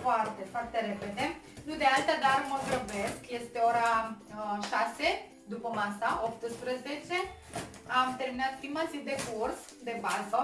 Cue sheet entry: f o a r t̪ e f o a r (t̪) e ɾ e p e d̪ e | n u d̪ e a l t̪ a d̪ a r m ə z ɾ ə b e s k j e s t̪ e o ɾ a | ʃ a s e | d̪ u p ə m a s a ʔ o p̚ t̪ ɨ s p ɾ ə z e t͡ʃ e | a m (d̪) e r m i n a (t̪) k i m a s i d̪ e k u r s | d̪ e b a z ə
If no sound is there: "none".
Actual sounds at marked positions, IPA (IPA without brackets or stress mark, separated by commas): t̪, t̪, t̪